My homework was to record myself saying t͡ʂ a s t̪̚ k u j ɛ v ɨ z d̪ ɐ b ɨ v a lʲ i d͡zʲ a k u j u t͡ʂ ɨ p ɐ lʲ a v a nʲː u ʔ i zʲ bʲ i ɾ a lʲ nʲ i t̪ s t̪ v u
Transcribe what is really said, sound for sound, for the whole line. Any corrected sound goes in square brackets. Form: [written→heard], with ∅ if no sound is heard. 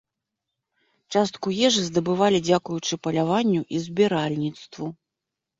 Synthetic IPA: t͡ʂ a s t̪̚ k u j ɛ [v→ʐ] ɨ z d̪ ɐ b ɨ v a lʲ i d͡zʲ a k u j u t͡ʂ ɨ p ɐ lʲ a v a nʲː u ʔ i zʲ bʲ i ɾ a lʲ nʲ i t̪ s t̪ v u